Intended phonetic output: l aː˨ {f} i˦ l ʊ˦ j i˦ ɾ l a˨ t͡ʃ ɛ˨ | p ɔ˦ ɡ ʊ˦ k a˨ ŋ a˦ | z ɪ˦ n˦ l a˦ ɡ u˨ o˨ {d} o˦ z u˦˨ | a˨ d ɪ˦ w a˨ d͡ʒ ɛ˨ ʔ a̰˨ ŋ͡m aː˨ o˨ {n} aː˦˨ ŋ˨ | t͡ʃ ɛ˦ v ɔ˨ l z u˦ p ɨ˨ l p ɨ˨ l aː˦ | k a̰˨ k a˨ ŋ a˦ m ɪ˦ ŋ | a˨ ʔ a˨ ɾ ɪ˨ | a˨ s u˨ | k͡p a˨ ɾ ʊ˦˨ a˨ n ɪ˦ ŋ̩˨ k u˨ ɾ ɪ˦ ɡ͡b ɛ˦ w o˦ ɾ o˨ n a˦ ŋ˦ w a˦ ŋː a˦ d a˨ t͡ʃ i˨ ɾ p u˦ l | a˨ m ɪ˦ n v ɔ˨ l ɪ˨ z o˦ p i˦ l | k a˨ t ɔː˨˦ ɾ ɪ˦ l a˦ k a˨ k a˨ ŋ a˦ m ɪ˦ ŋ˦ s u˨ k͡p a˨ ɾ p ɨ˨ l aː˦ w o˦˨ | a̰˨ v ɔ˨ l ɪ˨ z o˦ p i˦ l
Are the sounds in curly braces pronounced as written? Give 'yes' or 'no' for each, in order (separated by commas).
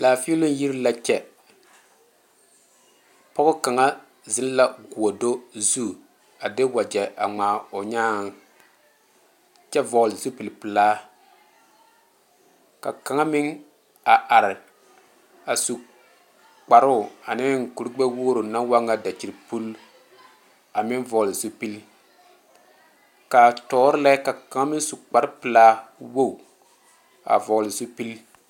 yes, yes, no